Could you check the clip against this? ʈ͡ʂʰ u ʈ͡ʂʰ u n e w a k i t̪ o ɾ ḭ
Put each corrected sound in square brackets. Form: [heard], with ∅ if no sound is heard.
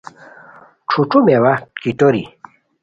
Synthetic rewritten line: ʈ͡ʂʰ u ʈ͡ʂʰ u [m] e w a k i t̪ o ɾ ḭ

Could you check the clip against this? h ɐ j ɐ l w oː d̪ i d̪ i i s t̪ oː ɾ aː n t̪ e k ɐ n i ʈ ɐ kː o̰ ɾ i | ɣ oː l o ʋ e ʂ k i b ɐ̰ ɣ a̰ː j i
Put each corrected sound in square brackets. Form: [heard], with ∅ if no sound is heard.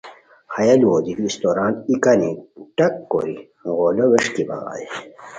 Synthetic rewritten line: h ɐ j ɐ l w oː d̪ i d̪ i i s t̪ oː ɾ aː n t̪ [i] k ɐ n i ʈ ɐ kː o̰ ɾ i | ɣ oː l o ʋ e ʂ k i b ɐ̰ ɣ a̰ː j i

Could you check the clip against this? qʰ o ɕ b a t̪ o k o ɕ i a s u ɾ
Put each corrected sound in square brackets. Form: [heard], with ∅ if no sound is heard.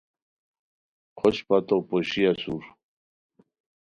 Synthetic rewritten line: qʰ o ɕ [p] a t̪ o [p] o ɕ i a s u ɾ

